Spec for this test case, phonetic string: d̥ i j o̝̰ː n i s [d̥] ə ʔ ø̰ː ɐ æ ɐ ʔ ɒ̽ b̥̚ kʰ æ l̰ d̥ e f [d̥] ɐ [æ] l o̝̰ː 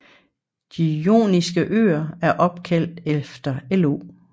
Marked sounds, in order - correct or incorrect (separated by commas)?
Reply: incorrect, correct, incorrect